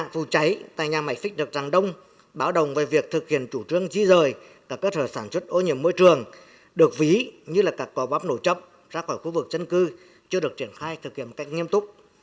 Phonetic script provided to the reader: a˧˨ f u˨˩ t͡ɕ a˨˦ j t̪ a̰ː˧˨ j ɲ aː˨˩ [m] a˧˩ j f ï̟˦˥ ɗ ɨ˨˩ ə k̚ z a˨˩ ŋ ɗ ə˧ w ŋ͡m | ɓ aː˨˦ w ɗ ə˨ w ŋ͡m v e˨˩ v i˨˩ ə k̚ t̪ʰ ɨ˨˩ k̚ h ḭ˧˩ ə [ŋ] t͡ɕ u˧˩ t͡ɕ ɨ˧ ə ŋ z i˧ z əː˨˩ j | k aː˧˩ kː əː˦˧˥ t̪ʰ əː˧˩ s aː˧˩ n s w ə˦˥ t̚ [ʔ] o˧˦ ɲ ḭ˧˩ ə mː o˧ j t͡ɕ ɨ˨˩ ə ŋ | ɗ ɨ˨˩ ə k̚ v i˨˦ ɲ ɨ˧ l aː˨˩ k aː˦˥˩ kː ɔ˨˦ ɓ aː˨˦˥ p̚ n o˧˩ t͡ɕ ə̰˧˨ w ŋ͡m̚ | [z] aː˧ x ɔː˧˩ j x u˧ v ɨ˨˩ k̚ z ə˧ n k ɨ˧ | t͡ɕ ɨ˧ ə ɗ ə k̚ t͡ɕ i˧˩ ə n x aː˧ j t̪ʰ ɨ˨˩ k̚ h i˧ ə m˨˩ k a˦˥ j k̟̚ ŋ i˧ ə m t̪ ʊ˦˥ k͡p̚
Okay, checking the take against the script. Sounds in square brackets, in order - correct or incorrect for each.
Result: correct, incorrect, correct, correct

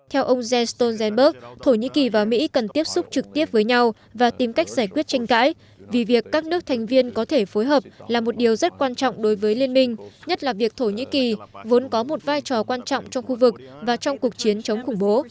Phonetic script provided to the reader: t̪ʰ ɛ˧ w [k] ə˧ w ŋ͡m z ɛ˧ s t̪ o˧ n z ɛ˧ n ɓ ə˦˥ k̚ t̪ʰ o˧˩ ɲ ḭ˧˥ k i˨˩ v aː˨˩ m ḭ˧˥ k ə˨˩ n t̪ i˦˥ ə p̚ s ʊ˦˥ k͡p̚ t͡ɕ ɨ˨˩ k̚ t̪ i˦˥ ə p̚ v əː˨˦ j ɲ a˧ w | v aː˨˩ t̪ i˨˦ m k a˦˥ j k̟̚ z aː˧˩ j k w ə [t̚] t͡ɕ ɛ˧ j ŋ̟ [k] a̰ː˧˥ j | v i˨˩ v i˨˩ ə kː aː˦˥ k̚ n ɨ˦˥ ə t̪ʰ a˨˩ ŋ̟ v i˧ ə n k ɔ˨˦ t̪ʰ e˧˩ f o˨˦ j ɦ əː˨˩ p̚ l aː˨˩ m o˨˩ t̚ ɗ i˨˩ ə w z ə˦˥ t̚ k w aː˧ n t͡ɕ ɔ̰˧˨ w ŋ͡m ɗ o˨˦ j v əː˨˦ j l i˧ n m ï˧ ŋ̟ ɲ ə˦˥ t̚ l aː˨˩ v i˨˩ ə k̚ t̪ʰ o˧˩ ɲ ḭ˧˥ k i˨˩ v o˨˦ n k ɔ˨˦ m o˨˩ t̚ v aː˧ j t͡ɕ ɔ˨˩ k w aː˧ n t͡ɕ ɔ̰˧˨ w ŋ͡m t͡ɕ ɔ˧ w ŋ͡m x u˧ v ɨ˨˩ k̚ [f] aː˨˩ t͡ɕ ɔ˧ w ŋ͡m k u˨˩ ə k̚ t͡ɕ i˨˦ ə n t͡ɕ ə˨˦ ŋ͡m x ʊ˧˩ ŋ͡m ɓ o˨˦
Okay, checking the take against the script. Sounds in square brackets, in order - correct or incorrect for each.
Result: incorrect, correct, correct, incorrect

